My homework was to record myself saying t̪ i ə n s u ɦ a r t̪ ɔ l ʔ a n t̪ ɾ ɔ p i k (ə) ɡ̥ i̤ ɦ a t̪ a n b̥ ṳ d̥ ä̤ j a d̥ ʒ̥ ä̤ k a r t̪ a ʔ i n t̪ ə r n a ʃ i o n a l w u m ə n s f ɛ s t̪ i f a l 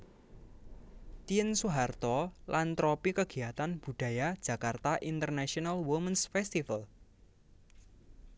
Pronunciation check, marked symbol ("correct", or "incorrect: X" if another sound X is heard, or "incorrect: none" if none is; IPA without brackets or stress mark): correct